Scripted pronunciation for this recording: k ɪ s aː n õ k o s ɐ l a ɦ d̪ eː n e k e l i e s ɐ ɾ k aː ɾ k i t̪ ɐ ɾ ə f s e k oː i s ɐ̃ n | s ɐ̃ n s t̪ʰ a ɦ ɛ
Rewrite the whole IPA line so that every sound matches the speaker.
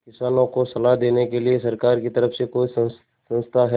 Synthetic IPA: k ɪ s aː n õ k o s ɐ l a ɦ d̪ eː n e k e l i e s ɐ ɾ k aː ɾ k i t̪ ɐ ɾ ə f s e k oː i s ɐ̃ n | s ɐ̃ n s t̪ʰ a ɦ ɛ